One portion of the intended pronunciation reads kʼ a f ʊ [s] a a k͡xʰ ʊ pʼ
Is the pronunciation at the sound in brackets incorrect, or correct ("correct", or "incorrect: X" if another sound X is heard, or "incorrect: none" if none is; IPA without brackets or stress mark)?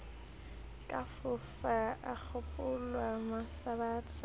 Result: incorrect: f